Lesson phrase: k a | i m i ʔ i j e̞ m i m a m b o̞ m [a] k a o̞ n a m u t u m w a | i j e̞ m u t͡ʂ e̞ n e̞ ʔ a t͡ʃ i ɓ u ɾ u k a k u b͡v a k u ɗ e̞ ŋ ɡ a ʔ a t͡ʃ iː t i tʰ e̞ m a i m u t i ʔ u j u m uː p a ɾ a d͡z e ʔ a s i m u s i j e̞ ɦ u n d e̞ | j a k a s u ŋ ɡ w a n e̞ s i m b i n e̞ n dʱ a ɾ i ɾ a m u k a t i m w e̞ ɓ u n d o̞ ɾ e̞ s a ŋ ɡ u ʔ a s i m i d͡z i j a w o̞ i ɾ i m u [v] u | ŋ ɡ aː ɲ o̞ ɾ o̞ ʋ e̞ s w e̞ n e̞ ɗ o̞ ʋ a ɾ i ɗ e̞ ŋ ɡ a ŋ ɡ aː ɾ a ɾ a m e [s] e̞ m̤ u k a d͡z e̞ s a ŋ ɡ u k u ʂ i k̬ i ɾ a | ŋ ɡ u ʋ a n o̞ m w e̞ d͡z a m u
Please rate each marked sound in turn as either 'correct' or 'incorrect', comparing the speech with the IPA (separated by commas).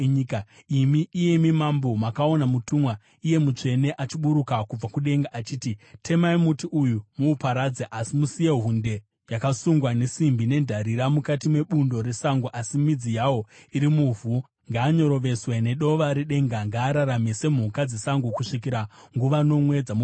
correct, correct, correct